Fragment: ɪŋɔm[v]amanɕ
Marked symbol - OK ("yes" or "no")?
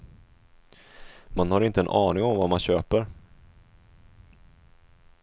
yes